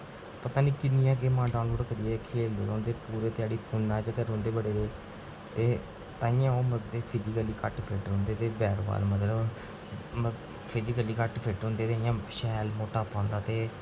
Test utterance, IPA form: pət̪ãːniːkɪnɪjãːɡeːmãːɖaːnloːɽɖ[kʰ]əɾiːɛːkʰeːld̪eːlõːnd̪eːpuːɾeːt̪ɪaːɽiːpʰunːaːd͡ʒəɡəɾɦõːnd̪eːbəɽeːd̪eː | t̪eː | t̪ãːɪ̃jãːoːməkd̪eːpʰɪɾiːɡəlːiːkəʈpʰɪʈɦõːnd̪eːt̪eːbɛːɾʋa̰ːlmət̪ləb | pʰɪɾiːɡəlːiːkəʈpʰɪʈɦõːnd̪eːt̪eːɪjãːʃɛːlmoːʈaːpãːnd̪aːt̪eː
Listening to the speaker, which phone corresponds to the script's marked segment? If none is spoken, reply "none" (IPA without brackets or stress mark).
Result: k